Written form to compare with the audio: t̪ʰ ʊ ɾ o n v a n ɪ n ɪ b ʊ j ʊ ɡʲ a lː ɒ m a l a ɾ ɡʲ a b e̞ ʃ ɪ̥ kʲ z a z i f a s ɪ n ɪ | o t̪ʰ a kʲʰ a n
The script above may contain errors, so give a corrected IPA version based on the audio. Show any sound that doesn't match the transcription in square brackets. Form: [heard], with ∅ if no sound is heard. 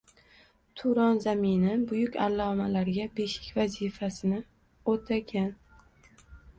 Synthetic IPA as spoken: t̪ʰ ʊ ɾ [ɒ] n [z] a [m] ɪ n ɪ b ʊ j ʊ [kʲ] a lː ɒ m a l a ɾ ɡʲ a b e̞ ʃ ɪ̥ kʲ [v] a z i f a s ɪ n ɪ | o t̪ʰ a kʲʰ a n